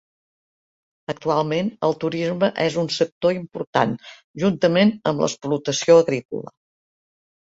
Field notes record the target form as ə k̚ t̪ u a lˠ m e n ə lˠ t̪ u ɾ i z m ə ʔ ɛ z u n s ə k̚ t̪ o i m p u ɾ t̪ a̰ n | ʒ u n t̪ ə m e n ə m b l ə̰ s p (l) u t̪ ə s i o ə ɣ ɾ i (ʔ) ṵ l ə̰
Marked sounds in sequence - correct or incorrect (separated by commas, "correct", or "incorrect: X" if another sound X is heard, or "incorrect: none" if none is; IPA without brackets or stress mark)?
correct, incorrect: k